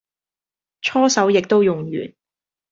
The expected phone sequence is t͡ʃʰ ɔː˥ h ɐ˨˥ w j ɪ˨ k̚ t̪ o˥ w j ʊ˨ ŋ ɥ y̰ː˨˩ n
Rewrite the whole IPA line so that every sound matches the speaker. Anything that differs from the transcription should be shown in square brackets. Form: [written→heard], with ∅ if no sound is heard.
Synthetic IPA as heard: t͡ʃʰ ɔː˥ [h→s] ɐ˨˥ w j ɪ˨ k̚ t̪ o˥ w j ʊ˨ ŋ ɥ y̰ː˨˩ n